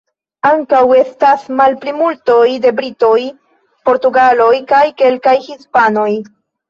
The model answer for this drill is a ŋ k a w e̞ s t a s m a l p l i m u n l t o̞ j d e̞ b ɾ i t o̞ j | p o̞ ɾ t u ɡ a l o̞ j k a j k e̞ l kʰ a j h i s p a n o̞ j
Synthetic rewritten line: a ŋ k a w e̞ s t a s m a l p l i m u l t o̞ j d e̞ b ɾ i t o̞ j | p o̞ ɾ t u ɡ a l o̞ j k a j k e̞ l k a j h i s p a n o̞ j